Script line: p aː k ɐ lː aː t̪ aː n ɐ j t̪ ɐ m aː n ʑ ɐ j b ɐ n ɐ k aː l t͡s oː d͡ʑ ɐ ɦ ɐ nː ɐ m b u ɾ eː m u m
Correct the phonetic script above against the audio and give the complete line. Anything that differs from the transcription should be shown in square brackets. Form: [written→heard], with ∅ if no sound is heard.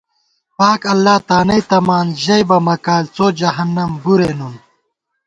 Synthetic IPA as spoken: p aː k ɐ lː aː t̪ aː n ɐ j t̪ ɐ m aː n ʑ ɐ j b ɐ [n→m] ɐ k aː l t͡s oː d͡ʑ ɐ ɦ ɐ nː ɐ m b u ɾ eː [m→n] u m

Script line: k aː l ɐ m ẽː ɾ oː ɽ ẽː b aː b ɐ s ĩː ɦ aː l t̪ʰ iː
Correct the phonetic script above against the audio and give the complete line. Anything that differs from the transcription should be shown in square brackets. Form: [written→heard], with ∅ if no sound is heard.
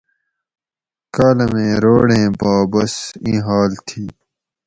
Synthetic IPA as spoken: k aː l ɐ m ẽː ɾ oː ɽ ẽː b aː b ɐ s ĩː ɦ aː l t̪ʰ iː

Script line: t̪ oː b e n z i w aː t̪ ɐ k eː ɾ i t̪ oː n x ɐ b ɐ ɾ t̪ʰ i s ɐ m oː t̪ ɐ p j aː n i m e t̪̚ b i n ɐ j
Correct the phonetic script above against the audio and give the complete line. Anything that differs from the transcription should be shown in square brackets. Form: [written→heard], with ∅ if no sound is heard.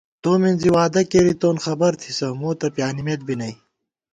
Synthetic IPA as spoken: t̪ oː [b→m] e n z i w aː [t̪→d̪] ɐ k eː ɾ i t̪ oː n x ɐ b ɐ ɾ t̪ʰ i s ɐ m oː t̪ ɐ p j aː n i m e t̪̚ b i n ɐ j

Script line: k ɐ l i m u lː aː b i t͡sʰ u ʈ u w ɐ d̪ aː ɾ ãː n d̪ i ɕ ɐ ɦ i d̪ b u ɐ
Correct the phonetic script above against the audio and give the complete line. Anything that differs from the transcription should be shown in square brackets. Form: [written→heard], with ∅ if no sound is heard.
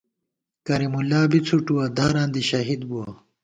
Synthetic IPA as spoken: k ɐ [l→ɾ] i m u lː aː b i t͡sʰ u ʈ u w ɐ d̪ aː ɾ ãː n d̪ i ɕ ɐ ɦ i d̪ b u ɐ

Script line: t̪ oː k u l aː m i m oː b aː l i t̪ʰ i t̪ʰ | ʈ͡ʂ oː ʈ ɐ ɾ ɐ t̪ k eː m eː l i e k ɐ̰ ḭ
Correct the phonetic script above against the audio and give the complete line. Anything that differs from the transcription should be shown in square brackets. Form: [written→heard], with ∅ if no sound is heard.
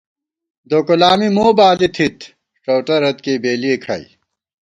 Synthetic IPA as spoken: [t̪→d̪] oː k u l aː m i m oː b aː l i t̪ʰ i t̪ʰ | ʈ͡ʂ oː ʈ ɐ ɾ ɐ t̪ k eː [m→b] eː l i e [k→kʰ] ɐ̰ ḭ

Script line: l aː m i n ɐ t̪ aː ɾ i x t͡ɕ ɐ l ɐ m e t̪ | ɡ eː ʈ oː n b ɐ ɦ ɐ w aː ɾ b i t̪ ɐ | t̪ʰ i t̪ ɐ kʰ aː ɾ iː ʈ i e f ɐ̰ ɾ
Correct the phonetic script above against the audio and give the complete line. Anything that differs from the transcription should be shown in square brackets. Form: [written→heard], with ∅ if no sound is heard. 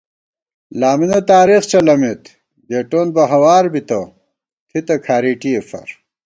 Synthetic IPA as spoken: l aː m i n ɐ t̪ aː ɾ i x t͡ɕ ɐ l ɐ m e t̪ | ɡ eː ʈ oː n b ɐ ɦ ɐ w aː ɾ b i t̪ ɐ | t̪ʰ i t̪ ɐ kʰ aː ɾ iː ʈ i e f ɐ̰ ɾ

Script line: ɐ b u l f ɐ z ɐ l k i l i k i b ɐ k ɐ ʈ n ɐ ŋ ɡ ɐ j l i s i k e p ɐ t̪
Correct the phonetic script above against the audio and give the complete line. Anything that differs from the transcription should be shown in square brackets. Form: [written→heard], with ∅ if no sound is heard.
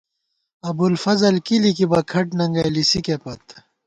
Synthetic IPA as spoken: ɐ b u l f ɐ z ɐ l k i l i k i b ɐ [k→kʰ] ɐ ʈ n ɐ ŋ ɡ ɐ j l i s i k e p ɐ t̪

